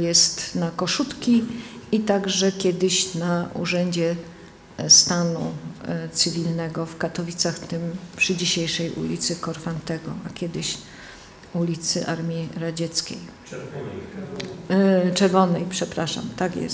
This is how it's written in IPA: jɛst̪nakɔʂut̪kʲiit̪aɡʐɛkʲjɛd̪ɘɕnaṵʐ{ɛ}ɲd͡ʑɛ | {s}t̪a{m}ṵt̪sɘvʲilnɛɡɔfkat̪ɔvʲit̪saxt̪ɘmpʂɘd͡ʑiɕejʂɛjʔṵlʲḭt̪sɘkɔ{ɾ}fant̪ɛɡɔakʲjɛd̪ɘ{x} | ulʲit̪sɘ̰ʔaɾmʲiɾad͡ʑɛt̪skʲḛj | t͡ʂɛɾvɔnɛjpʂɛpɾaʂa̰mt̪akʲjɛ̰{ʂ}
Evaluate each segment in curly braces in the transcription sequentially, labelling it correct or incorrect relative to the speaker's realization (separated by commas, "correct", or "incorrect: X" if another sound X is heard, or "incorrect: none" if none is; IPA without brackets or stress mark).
correct, correct, incorrect: n, correct, incorrect: ɕ, incorrect: s